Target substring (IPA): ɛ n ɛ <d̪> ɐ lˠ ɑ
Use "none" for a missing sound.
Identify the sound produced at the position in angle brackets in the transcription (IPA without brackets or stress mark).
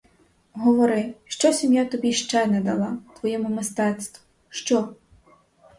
d̪